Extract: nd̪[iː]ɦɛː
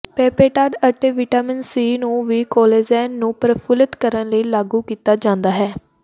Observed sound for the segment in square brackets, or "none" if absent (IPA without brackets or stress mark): aː